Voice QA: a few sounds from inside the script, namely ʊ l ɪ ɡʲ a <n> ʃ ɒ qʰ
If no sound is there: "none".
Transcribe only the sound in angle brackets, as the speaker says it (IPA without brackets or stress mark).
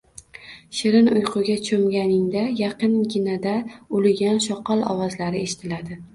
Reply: n